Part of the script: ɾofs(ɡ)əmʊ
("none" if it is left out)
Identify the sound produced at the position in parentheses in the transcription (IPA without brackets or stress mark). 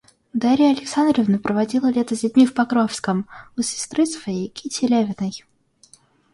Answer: k